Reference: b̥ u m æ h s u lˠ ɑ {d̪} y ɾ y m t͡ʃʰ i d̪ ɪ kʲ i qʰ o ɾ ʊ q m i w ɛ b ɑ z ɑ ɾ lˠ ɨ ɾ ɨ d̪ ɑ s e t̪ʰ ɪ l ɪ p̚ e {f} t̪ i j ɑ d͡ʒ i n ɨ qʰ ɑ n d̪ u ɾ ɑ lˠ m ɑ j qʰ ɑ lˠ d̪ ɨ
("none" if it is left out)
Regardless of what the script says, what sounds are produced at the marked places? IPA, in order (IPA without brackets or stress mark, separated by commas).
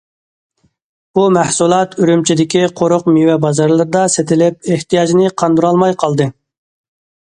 t̪, h